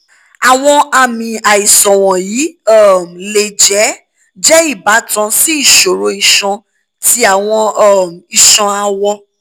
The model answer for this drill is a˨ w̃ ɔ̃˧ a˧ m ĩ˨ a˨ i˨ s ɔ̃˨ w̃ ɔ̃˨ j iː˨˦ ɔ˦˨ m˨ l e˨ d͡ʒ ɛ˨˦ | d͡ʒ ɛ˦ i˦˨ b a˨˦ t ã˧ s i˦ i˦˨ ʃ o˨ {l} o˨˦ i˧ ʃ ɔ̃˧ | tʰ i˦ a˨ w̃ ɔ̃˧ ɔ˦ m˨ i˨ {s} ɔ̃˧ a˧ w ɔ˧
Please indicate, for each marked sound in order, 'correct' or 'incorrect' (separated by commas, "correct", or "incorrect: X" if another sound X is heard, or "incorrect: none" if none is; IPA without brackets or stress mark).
incorrect: ɾ, incorrect: ʃ